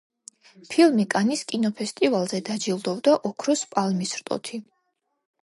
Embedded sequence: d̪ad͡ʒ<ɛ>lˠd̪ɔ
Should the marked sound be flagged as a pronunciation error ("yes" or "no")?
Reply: yes